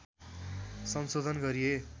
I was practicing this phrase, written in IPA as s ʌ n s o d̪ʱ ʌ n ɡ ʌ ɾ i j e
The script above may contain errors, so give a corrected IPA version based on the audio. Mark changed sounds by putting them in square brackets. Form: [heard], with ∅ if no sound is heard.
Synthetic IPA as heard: s ʌ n s o d̪ʱ ʌ n ɡ ʌ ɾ i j e